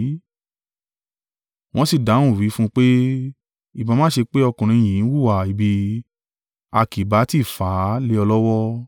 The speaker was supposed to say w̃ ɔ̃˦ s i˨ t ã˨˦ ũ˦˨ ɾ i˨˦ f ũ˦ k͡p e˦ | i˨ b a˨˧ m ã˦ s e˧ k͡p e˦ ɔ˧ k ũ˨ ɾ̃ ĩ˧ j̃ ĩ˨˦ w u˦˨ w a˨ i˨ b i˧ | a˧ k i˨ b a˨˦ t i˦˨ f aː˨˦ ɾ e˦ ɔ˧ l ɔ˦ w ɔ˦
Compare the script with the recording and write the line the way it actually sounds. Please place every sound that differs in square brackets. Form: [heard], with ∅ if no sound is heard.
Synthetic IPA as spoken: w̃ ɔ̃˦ s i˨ [d] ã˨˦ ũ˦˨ ɾ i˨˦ f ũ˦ k͡p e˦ | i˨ b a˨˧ m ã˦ [ʃ] e˧ k͡p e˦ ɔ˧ k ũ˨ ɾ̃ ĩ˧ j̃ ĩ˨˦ w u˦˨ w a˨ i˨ b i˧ | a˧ k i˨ b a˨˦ t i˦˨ f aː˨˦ [l] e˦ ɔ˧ l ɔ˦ w ɔ˦